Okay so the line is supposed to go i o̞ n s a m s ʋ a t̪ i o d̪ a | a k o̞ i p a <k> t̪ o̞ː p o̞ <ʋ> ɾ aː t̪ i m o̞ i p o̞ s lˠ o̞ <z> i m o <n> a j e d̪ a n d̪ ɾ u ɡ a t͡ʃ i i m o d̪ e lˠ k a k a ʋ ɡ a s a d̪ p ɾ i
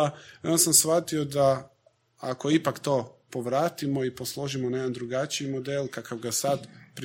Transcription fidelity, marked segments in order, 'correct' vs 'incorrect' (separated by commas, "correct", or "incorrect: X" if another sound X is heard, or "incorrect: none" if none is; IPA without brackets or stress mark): correct, correct, incorrect: ʒ, correct